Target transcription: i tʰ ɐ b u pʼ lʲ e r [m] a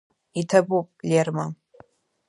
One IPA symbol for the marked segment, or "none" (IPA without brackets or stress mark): m